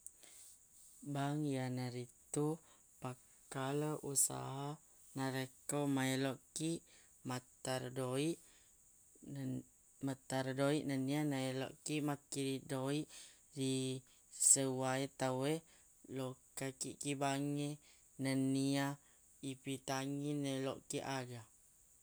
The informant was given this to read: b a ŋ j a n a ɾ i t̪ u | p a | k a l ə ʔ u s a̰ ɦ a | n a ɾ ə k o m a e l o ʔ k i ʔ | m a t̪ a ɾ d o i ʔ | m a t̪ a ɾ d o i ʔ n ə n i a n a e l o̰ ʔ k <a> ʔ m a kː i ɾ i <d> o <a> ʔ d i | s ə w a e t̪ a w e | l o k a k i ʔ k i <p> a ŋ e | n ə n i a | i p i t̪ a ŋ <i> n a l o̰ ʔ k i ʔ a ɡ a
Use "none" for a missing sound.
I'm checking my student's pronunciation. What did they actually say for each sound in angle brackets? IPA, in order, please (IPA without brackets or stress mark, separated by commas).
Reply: i, d, i, b, i